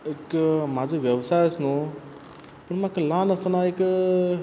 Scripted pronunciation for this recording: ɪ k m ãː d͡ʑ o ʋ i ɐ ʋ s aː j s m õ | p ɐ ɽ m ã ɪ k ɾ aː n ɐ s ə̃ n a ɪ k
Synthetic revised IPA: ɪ k m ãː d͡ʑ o ʋ j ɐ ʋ s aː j s n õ | p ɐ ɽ m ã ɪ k l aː n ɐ s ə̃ n a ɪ k